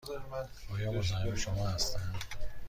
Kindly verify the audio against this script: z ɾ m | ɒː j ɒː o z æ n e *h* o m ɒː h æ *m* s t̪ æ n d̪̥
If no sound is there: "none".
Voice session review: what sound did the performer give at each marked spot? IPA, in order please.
ʃ, none

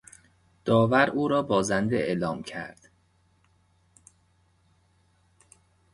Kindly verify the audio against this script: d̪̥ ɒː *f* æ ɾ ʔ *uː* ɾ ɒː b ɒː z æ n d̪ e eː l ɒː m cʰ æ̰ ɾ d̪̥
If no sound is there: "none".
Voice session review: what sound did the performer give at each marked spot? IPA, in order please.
v, uː

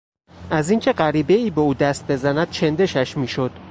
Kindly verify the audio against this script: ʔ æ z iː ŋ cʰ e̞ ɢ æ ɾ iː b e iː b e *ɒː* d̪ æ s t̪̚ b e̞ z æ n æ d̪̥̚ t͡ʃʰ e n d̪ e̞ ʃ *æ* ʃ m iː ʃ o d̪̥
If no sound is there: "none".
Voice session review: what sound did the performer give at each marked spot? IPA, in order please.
uː, æ

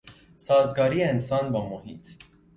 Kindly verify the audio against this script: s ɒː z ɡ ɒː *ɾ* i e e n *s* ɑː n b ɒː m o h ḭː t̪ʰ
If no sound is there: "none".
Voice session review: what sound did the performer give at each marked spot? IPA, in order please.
ɾ, s

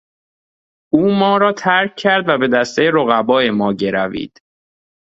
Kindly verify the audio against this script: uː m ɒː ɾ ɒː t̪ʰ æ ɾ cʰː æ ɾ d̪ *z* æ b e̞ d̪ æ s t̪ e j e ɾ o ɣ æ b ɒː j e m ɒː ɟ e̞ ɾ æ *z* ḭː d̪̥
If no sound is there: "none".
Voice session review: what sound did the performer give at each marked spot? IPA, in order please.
v, v

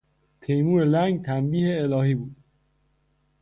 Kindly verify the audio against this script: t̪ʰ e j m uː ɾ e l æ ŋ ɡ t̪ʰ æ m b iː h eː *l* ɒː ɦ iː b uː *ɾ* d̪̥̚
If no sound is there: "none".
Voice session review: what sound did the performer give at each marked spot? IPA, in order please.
l, none

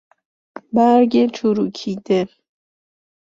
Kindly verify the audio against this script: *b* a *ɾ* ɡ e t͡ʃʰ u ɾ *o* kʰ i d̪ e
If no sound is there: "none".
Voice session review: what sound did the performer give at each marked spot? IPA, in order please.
b, ɾ, u

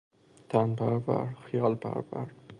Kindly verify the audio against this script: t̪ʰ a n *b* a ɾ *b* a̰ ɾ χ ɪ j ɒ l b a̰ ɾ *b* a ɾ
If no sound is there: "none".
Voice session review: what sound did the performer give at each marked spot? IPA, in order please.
b, b, b

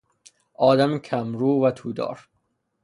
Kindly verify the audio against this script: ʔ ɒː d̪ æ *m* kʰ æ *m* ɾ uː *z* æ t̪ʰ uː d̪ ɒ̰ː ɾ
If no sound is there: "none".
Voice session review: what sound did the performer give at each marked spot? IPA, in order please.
m, m, v

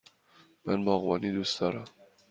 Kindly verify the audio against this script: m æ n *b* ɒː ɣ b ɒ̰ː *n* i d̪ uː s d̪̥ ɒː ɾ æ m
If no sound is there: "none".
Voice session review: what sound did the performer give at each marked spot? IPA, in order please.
b, n

